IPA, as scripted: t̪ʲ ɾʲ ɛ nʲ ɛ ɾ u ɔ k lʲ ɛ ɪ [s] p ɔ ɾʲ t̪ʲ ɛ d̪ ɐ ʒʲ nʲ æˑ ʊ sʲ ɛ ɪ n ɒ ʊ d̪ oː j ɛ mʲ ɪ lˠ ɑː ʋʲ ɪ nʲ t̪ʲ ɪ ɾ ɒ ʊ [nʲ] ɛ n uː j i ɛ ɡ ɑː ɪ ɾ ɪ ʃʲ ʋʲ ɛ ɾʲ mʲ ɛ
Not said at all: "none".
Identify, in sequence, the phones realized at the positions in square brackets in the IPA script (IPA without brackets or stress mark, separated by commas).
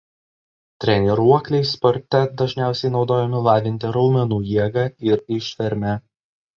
s, mʲ